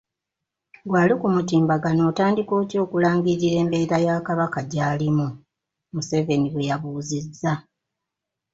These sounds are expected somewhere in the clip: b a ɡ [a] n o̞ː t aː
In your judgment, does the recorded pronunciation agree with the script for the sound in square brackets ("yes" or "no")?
yes